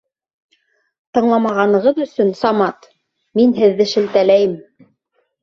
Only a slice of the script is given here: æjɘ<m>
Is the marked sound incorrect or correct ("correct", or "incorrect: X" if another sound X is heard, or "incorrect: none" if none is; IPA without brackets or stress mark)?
correct